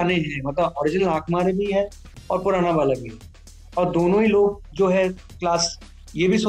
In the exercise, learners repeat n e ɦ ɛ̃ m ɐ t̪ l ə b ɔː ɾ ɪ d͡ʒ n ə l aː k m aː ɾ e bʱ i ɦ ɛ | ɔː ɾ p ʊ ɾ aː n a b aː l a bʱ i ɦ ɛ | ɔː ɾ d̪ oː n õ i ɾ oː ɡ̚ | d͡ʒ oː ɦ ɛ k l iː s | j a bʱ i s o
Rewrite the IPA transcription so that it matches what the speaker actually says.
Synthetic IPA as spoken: n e ɦ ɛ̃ m ɐ t̪ l ə b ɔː ɾ ɪ d͡ʒ n ə l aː k m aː ɾ e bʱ i ɦ ɛ | ɔː ɾ p ʊ ɾ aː n a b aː l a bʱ i ɦ ɛ | ɔː ɾ d̪ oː n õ i l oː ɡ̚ | d͡ʒ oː ɦ ɛ k l aː s | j e bʱ i s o